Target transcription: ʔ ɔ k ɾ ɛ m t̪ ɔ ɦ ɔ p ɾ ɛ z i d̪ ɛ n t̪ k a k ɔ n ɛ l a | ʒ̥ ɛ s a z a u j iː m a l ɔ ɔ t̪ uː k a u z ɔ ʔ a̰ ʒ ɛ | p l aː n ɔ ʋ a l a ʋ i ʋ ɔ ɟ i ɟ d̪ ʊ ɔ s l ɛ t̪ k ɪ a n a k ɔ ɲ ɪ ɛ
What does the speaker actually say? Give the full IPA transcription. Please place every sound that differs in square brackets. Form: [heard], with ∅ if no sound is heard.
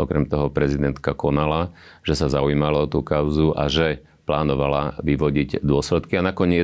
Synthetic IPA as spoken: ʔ ɔ k ɾ ɛ m t̪ ɔ ɦ ɔ p ɾ ɛ z i d̪ ɛ n t̪ k a k ɔ n [a] l a | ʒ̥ ɛ s a z a u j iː m a l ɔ ɔ t̪ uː k a [ʊ] z [u] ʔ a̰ ʒ ɛ | p l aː n ɔ ʋ a l a ʋ i ʋ ɔ ɟ i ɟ d̪ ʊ ɔ s l ɛ t̪ k [i] a n a k ɔ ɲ ɪ ɛ